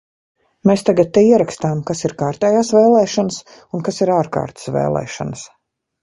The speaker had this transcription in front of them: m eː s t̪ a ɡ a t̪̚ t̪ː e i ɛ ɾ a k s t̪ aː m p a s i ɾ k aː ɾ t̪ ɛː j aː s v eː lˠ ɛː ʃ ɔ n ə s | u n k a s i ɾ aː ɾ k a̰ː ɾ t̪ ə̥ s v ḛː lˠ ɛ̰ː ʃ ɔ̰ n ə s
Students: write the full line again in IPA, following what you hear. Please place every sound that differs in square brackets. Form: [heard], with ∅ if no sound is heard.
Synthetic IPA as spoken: m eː s t̪ a ɡ a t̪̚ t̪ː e i ɛ ɾ a k s t̪ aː m [k] a s i ɾ k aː ɾ t̪ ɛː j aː s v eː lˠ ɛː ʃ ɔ n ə s | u n k a s i ɾ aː ɾ k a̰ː ɾ t̪ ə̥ s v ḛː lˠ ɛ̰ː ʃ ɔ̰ n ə s